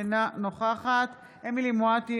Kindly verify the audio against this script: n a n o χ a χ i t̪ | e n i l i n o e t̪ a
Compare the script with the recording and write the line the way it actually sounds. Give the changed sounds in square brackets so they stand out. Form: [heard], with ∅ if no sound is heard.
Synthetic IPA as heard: n a n o χ a χ [a] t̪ | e [m] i l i [m] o [a] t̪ [i]